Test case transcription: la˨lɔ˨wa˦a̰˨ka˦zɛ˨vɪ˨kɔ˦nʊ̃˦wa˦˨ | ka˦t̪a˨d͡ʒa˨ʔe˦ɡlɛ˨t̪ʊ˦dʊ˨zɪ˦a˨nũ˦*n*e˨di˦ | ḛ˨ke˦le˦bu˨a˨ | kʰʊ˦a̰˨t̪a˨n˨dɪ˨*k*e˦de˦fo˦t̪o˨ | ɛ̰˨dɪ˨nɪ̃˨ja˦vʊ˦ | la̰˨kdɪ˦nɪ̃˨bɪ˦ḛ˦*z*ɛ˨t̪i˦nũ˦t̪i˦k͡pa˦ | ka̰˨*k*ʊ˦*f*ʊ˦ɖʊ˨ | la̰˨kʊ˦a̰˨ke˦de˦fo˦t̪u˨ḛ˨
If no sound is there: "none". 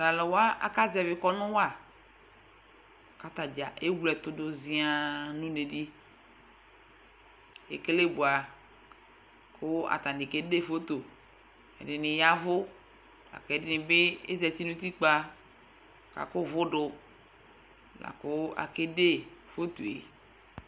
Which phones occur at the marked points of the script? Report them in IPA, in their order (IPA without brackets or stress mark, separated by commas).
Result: n, k, z, k, v